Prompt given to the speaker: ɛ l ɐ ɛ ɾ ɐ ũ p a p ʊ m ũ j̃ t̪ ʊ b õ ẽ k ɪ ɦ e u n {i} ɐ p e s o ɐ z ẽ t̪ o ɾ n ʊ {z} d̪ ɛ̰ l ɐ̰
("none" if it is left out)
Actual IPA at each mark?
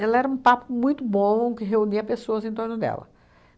i, none

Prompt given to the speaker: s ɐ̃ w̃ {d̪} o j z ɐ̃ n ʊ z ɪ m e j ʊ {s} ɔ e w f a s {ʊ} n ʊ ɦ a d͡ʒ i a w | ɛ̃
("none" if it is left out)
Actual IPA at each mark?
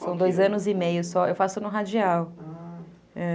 d̪, s, ʊ

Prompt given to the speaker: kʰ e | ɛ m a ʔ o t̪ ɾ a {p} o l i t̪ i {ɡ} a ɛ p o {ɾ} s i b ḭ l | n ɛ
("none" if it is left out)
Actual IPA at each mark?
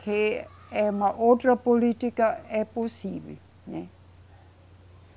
p, k, none

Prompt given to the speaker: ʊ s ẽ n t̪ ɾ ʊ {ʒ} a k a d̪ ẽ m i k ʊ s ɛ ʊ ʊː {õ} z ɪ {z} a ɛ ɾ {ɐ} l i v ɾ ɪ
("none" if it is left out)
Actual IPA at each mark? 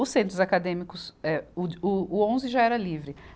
z, õ, ʒ, ɐ

